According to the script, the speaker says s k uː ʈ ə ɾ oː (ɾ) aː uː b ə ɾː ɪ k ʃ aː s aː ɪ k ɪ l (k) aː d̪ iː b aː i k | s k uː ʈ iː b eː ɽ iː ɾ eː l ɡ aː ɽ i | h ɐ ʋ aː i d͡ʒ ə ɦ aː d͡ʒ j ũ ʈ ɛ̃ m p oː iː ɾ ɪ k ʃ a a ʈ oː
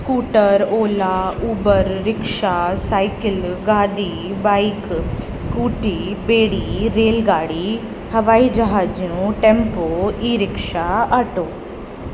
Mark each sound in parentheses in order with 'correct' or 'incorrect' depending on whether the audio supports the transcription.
incorrect: l, incorrect: ɡ

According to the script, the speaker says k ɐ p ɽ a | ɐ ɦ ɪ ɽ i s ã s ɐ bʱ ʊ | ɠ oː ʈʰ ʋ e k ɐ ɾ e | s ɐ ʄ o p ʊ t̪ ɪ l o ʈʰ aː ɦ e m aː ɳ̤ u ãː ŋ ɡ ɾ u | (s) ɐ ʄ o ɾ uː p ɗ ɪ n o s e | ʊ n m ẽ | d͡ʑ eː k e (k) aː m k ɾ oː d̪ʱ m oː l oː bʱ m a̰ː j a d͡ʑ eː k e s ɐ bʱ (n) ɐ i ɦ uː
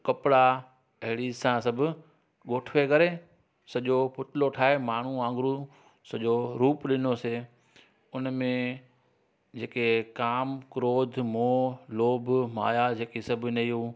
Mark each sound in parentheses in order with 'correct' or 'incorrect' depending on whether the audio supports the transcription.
correct, correct, correct

